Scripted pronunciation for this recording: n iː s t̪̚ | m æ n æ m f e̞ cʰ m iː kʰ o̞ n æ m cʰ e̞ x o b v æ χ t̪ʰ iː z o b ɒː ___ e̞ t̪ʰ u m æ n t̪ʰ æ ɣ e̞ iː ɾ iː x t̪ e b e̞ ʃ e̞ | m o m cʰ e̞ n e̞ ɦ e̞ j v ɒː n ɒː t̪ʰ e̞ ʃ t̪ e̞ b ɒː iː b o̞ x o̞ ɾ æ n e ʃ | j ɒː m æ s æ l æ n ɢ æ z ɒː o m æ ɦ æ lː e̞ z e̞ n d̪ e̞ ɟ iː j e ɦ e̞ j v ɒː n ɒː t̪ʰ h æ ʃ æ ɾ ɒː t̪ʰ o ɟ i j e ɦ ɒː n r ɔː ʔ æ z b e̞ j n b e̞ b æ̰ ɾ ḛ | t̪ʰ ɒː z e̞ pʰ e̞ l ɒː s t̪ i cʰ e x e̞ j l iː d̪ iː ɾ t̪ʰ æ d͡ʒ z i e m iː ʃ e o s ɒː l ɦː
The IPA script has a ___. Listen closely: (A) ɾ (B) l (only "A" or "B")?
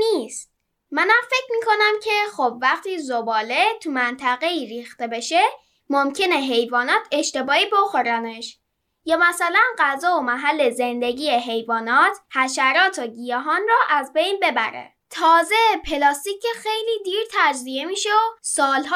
B